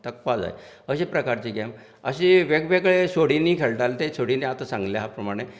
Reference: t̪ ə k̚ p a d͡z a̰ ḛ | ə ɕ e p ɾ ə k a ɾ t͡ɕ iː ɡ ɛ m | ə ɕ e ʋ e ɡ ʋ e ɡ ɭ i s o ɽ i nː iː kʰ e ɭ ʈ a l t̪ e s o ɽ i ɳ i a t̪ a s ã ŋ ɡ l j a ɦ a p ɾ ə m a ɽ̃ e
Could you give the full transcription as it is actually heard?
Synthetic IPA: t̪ ə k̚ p a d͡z a̰ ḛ | ə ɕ e p ɾ ə k a ɾ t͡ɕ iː ɡ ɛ m | ə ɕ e ʋ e ɡ ʋ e ɡ ɭ e s o ɽ i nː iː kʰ e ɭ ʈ a l t̪ e s o ɽ i n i a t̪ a s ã ŋ ɡ l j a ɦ a p ɾ ə m a ɽ̃ e